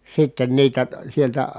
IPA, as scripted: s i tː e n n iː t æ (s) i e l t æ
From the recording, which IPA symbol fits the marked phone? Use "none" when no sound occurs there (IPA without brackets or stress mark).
s